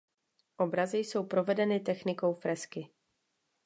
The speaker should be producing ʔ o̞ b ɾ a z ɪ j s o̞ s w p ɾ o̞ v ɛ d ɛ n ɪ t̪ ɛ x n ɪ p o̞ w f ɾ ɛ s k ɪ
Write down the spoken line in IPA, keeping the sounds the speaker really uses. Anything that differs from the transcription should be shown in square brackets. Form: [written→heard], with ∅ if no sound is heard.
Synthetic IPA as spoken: ʔ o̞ b ɾ a z ɪ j s o̞ [s→∅] w p ɾ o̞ v ɛ d ɛ n ɪ t̪ ɛ x n ɪ [p→k] o̞ w f ɾ ɛ s k ɪ